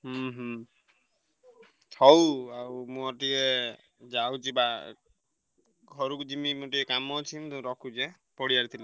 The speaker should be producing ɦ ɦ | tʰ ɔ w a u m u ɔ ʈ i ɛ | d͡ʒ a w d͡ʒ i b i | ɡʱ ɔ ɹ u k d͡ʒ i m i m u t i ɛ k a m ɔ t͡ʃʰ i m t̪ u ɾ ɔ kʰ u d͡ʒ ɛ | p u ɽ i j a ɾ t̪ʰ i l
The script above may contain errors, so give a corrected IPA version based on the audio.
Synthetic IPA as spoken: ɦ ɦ | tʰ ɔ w a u m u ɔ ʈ i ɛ | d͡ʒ a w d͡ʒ i b a | ɡʱ ɔ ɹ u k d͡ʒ i m i m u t i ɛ k a m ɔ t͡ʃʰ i m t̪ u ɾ ɔ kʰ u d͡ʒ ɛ | p ɔ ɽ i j a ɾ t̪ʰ i l